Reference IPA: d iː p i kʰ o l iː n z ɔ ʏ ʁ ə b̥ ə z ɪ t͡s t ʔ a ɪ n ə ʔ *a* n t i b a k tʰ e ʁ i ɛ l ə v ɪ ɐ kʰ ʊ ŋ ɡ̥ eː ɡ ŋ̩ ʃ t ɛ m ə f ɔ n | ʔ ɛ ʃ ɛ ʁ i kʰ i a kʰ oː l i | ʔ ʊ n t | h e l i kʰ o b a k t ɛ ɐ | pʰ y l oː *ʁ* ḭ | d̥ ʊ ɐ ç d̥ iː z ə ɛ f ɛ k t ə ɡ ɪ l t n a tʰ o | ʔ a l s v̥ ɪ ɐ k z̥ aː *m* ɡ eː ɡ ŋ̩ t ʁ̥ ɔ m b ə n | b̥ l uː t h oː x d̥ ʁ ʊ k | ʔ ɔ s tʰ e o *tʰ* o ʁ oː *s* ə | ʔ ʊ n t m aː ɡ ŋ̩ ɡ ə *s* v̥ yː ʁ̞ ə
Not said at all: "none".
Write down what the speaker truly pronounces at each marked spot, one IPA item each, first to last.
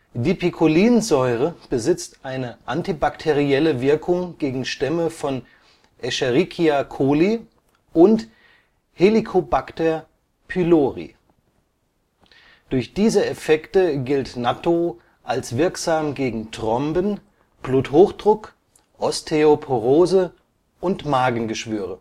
a, ʁ, m, pʰ, z, ʃ

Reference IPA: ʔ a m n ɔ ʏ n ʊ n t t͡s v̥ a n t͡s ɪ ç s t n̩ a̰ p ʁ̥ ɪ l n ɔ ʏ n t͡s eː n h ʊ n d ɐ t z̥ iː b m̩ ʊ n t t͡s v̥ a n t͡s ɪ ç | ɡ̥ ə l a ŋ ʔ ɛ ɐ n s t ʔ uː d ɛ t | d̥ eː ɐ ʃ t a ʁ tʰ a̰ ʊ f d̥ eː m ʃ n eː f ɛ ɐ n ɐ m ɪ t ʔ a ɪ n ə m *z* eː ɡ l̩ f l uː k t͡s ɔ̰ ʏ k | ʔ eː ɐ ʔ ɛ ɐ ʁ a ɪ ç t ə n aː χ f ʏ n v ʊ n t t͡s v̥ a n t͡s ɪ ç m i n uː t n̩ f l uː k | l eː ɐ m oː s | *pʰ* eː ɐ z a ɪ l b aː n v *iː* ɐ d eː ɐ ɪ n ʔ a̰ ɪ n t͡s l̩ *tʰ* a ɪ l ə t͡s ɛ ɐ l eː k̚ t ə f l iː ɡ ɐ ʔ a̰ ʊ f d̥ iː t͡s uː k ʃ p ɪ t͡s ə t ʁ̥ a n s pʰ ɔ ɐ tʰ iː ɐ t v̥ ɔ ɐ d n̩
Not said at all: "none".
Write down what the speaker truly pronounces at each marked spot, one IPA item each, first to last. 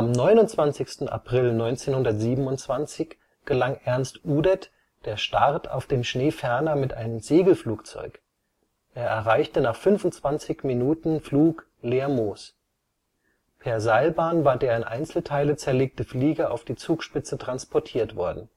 z, pʰ, aː, tʰ

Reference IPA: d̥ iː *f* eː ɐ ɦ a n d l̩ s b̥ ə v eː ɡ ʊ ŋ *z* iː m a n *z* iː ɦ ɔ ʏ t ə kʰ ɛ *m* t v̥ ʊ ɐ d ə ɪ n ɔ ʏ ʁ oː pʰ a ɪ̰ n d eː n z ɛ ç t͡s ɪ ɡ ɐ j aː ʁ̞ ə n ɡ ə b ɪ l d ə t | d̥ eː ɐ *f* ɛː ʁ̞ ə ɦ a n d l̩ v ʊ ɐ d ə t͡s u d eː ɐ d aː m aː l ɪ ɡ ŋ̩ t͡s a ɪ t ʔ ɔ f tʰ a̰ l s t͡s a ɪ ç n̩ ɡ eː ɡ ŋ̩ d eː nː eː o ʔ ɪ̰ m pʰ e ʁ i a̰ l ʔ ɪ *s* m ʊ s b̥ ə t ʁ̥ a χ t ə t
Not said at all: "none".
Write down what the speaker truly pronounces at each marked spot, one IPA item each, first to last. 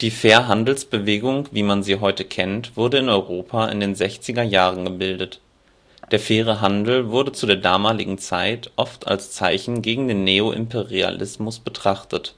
f, v, z, n, f, s

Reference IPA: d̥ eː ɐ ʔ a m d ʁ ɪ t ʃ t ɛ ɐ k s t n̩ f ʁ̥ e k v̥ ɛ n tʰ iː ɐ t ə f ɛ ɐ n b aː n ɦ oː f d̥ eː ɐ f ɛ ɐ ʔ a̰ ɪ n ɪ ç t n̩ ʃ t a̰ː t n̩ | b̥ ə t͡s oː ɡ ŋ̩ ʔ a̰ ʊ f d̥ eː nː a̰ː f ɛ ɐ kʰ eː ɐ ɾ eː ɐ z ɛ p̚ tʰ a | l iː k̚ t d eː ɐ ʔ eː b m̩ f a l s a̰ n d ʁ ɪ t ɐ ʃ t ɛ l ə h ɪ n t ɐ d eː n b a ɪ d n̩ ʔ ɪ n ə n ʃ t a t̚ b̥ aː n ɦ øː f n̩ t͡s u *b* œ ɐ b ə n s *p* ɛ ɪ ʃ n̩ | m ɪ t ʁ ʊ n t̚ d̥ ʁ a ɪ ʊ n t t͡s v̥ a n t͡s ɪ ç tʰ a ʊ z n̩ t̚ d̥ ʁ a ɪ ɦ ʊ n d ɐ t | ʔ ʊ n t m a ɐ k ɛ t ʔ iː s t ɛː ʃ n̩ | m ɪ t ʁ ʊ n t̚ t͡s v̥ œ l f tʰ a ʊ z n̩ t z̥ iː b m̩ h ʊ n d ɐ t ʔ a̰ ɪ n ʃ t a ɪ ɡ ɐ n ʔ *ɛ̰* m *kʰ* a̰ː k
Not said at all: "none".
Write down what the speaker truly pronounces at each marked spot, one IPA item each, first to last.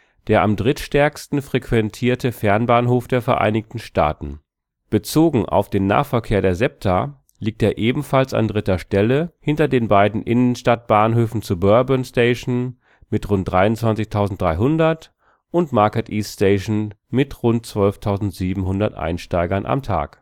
b, t, a̰, tʰ

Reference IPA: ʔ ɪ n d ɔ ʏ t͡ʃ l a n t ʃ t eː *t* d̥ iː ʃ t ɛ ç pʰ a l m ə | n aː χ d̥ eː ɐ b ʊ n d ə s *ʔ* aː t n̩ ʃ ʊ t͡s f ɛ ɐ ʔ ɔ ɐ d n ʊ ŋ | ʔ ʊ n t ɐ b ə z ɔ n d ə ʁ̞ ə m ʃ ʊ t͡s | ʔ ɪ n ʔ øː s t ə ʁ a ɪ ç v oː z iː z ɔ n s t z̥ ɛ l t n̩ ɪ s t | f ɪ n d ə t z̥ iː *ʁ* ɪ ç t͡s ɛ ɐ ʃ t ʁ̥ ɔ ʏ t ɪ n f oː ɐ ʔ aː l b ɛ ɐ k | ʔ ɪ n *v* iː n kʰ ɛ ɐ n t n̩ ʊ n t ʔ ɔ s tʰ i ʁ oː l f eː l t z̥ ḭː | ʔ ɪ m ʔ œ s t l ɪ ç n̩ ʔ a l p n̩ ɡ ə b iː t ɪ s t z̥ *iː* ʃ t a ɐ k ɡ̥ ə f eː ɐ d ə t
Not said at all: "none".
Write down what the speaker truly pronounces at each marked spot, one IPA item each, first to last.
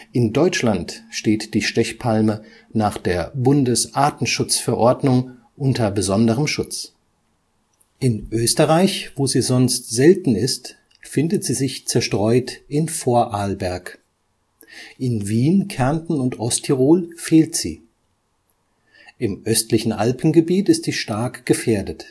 t, ʔ, z, v, iː

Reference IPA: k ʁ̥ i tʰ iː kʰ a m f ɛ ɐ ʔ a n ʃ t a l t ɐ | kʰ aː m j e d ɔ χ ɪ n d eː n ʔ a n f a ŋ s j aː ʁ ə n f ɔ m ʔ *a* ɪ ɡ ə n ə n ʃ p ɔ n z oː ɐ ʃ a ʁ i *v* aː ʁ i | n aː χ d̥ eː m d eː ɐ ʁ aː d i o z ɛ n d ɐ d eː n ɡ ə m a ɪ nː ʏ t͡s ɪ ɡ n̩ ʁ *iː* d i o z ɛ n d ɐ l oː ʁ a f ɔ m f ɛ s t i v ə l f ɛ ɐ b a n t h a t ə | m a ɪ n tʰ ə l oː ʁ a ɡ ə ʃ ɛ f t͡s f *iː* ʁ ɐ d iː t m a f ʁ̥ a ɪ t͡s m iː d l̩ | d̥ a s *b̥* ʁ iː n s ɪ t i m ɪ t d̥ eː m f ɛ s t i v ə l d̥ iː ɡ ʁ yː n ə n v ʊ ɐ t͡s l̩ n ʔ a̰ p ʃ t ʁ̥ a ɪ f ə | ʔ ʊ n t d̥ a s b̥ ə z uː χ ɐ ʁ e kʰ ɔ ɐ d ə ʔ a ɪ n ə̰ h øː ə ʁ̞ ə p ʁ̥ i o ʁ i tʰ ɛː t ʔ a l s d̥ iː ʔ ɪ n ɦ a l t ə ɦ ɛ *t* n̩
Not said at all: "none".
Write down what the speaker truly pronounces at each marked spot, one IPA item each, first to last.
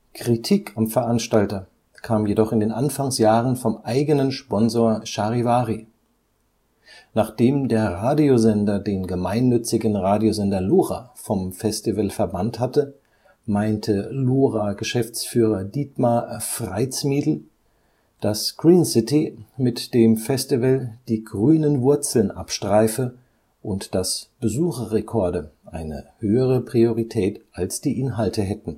a, v, aː, yː, ɡ̥, t

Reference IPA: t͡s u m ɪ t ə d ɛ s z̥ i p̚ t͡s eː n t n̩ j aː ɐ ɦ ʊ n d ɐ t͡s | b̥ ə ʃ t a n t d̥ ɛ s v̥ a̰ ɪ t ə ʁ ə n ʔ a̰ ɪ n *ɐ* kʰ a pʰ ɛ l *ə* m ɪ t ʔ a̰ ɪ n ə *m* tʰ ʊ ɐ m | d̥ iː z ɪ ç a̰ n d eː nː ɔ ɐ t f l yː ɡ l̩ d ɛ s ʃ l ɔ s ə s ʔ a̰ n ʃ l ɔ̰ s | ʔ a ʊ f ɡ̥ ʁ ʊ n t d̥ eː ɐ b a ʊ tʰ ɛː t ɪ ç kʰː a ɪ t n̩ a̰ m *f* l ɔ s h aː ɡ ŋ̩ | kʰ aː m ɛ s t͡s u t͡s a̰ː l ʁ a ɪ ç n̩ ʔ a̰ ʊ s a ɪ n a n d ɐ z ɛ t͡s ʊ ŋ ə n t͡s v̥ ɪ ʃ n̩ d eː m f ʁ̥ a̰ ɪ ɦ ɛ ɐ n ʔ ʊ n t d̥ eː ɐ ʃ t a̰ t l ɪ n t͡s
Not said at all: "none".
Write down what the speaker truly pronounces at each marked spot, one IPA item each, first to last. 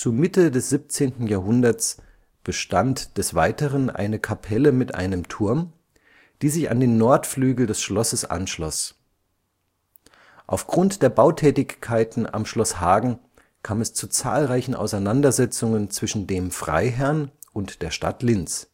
ə, ə, m, ʃ

